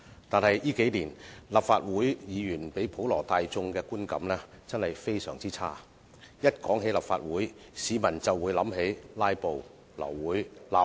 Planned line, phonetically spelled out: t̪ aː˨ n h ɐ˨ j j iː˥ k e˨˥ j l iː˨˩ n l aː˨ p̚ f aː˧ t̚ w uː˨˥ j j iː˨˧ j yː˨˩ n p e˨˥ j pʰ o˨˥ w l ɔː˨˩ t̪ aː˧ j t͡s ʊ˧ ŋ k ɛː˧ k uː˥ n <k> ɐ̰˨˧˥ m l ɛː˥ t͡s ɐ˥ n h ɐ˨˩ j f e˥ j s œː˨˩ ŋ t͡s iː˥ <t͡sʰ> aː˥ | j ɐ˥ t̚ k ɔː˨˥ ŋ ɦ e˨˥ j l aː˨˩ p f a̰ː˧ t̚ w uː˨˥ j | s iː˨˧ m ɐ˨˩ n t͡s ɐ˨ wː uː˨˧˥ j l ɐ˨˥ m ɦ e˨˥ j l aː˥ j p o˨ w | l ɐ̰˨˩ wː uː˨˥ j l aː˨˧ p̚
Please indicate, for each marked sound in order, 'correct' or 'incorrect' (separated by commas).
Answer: correct, correct